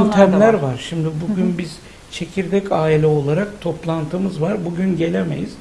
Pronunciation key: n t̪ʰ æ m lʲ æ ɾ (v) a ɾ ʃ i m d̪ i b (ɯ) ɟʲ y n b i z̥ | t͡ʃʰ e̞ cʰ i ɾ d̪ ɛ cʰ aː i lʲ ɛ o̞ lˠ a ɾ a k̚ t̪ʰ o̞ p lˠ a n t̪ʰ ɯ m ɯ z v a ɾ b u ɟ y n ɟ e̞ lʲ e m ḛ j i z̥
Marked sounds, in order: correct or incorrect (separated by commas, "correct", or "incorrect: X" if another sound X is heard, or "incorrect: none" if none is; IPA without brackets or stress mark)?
correct, incorrect: u